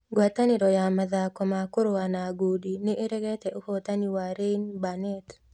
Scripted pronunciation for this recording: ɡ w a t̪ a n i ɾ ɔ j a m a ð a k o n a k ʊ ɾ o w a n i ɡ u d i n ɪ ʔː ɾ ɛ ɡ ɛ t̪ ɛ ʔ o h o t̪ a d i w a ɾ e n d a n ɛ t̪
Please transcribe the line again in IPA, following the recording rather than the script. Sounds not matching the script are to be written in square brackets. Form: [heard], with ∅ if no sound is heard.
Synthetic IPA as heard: ɡ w a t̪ a n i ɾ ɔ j a m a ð a k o [m] a k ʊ ɾ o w a n [a] ɡ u d i n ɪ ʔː ɾ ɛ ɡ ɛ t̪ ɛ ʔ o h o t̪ a [n] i w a ɾ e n [b] a n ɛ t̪